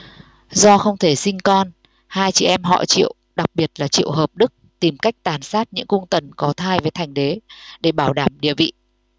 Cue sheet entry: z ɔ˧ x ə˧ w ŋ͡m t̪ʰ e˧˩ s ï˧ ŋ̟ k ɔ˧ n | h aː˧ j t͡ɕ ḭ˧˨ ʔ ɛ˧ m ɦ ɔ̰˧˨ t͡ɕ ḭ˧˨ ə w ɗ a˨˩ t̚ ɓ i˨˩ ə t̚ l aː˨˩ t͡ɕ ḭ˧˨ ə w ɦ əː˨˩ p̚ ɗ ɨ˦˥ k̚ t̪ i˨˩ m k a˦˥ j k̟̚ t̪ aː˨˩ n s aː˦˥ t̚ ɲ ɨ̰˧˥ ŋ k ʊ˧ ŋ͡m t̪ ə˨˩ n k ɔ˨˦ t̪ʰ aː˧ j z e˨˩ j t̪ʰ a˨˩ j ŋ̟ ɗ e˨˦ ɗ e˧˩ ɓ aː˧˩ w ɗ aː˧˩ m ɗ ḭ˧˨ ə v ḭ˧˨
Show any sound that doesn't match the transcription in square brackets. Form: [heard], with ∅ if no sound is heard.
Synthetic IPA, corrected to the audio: z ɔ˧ x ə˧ w ŋ͡m t̪ʰ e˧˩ s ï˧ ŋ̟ k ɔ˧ n | h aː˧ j t͡ɕ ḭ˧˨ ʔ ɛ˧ m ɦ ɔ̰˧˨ t͡ɕ ḭ˧˨ ə w ɗ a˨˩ [k̚] ɓ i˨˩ ə t̚ l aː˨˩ t͡ɕ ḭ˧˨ ə w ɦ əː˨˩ p̚ ɗ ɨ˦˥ k̚ t̪ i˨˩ m k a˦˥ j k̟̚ t̪ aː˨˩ n s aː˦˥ t̚ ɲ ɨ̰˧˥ ŋ k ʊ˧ ŋ͡m t̪ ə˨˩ n k ɔ˨˦ t̪ʰ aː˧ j [v] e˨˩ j t̪ʰ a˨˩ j ŋ̟ ɗ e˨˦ ɗ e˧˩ ɓ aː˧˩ w ɗ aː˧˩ m ɗ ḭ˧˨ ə v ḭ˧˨